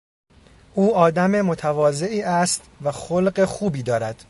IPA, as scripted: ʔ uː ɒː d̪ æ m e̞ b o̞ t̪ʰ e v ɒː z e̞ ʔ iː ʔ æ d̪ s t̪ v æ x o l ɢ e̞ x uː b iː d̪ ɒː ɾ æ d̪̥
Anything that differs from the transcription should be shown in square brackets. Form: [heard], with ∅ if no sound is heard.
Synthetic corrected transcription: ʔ uː ɒː d̪ æ m e̞ [m] o̞ t̪ʰ [æ] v ɒː z e̞ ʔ iː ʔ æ [∅] s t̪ v æ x o l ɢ e̞ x uː b iː d̪ ɒː ɾ æ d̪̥